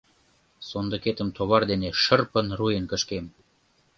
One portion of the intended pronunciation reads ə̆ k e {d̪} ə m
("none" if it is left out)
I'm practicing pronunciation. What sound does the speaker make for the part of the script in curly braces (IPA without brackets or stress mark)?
t̪